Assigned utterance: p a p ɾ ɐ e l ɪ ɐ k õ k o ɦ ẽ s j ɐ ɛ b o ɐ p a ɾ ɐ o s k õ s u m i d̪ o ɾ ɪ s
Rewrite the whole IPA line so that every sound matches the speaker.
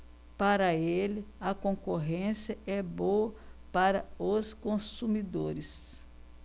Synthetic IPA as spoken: p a ɾ ɐ e l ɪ ɐ k õ k o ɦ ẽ s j ɐ ɛ b o ɐ p a ɾ ɐ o s k õ s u m i d̪ o ɾ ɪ s